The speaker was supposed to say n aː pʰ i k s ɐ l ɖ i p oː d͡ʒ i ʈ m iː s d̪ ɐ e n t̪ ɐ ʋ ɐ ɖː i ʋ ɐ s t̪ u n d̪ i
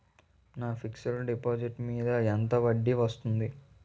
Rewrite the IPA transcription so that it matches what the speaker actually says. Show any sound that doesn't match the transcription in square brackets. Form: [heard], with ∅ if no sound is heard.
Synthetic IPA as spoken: n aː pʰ i k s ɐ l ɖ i p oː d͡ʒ i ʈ m iː [∅] d̪ ɐ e n t̪ ɐ ʋ ɐ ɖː i ʋ ɐ s t̪ u n d̪ i